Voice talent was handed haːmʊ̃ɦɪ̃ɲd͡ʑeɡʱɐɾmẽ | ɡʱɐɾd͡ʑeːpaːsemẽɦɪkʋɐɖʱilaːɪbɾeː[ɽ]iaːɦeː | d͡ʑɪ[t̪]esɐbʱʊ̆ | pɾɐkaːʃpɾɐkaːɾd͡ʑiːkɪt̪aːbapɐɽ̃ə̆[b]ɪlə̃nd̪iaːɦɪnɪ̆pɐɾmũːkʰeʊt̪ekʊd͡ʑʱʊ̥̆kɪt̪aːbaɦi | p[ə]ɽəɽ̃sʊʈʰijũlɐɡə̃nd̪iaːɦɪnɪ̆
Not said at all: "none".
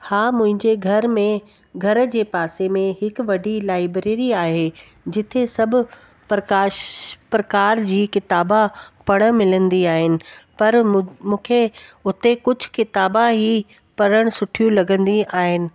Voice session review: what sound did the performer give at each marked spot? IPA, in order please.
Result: ɾ, t̪ʰ, m, ɐ

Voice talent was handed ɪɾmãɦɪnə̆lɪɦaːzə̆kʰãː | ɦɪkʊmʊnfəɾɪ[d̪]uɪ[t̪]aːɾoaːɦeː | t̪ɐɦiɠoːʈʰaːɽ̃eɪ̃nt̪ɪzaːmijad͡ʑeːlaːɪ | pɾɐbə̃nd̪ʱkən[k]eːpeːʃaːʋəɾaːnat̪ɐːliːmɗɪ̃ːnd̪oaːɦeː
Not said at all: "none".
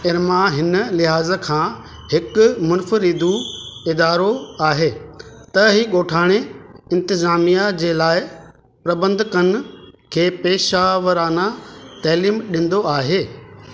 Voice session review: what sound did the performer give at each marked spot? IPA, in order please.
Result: d̪, d̪, kʰ

